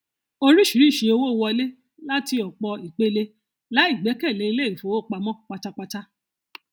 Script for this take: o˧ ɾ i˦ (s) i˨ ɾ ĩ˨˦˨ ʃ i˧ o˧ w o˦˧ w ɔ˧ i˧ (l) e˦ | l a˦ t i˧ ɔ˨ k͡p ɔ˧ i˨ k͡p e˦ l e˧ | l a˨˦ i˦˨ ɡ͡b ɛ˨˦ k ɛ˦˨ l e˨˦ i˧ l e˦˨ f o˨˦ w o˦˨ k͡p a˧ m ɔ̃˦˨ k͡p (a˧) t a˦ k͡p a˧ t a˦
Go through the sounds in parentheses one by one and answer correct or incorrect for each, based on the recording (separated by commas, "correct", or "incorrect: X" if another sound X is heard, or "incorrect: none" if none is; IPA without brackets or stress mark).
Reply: incorrect: ʃ, correct, correct